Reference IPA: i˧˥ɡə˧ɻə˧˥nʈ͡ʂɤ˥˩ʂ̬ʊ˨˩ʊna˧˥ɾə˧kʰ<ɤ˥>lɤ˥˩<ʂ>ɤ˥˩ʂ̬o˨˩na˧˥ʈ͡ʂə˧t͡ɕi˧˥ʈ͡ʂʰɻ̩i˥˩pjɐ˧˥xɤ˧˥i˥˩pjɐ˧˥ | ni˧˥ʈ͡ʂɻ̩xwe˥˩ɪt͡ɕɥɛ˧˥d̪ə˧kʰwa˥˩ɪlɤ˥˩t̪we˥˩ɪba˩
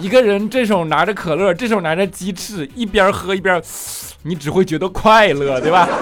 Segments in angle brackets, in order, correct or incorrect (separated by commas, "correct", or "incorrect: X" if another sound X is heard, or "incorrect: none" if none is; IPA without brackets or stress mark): incorrect: ɤ˨˩, incorrect: ʈ͡ʂ